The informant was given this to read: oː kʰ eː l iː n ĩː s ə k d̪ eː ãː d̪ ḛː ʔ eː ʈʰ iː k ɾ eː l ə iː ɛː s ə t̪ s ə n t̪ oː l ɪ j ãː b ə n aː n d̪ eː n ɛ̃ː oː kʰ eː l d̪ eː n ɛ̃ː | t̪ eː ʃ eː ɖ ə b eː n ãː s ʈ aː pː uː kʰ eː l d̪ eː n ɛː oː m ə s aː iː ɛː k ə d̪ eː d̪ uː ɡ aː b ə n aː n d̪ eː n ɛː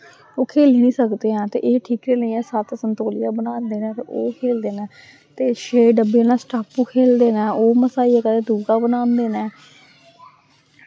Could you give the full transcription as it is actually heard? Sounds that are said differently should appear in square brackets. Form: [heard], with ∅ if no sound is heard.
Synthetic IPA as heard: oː kʰ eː l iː n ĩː s ə k d̪ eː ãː [t̪] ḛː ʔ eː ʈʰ iː k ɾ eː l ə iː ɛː s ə t̪ s ə n t̪ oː l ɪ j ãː b ə n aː n d̪ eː n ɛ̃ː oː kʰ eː l d̪ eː n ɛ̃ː | t̪ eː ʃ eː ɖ ə b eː n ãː s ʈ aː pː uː kʰ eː l d̪ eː n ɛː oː m ə s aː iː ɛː k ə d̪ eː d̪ uː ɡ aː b ə n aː n d̪ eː n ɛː